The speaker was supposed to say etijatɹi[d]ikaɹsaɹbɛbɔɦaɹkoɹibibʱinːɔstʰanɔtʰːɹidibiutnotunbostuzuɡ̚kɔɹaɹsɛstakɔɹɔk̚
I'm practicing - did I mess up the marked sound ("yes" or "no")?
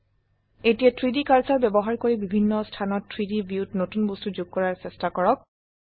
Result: no